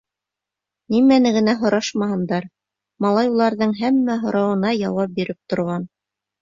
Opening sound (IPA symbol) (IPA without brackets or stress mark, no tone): n